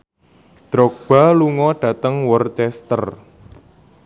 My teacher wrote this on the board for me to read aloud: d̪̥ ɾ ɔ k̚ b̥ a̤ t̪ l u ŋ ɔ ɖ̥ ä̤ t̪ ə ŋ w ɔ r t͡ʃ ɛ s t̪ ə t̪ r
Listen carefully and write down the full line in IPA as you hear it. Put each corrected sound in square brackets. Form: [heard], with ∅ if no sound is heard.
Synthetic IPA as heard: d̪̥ ɾ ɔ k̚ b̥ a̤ [∅] l u ŋ ɔ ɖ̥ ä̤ t̪ ə ŋ w ɔ r t͡ʃ ɛ s t̪ ə [∅] r